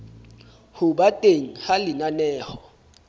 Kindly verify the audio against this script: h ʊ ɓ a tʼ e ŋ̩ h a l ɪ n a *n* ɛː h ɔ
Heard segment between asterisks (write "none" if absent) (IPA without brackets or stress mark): n